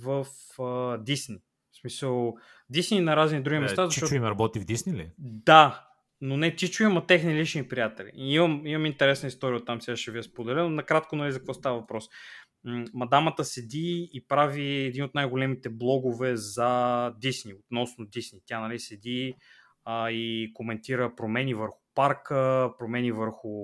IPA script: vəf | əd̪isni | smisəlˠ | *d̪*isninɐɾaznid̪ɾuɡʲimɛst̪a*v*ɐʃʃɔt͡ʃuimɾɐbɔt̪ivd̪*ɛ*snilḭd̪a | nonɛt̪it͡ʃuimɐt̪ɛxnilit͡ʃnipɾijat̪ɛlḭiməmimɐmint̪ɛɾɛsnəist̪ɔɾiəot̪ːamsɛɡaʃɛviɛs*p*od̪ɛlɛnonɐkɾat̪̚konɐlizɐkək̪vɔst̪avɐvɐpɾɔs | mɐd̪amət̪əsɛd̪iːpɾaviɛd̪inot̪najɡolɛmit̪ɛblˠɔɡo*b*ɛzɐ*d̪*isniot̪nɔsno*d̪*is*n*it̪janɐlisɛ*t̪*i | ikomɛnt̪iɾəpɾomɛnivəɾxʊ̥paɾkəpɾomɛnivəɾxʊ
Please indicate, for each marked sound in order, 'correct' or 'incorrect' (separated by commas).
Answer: correct, incorrect, incorrect, correct, incorrect, correct, correct, correct, incorrect